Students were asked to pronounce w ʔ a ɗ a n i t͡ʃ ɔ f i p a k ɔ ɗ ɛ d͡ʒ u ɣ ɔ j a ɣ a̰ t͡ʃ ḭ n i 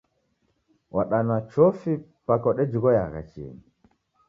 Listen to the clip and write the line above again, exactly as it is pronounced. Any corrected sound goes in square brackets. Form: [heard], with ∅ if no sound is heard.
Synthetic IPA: w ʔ a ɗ a n [a] t͡ʃ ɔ f i p a k ɔ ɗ ɛ d͡ʒ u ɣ ɔ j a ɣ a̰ t͡ʃ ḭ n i

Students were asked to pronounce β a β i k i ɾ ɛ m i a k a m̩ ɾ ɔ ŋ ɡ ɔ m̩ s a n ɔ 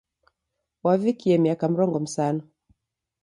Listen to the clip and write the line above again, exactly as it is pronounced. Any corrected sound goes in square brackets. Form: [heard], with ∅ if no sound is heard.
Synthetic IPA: [w] a [v] i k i [∅] ɛ m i a k a m̩ ɾ ɔ ŋ ɡ ɔ m̩ s a n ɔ

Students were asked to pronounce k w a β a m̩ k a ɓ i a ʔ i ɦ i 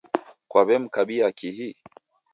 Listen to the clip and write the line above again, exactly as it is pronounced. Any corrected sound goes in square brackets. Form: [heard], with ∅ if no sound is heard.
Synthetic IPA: k w a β [ɛ] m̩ k a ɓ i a [k] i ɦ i

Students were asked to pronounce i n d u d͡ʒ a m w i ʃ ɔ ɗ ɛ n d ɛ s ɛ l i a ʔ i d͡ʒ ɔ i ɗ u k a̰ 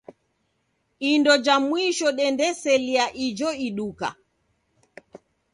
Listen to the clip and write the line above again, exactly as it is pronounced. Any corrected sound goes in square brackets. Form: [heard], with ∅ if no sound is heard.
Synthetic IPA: i n d [ɔ] d͡ʒ a m w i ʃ ɔ ɗ ɛ n d ɛ s ɛ l i a ʔ i d͡ʒ ɔ i ɗ u k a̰

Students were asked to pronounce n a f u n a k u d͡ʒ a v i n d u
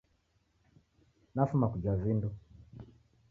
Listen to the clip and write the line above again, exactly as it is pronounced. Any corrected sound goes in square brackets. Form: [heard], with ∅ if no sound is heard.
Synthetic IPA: n a f u [m] a k u d͡ʒ a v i n d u

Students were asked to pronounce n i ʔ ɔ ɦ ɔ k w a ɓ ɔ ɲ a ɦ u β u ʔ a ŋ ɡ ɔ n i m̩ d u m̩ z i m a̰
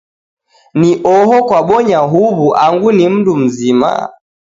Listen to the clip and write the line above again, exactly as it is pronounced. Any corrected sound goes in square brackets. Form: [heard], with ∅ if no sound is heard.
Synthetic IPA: n i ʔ ɔ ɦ ɔ k w a ɓ ɔ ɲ a ɦ u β u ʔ a ŋ ɡ [u] n i m̩ d u m̩ z i m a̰

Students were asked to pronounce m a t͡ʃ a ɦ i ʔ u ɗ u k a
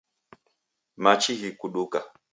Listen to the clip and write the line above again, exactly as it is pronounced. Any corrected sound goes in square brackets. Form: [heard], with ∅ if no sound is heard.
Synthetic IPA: m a t͡ʃ [i] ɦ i [k] u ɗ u k a

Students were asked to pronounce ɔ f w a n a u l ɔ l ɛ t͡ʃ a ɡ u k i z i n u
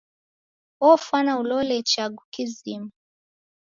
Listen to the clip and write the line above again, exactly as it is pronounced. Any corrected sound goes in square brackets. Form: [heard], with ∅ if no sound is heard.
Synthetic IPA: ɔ f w a n a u l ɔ l ɛ t͡ʃ a ɡ u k i z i [m] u

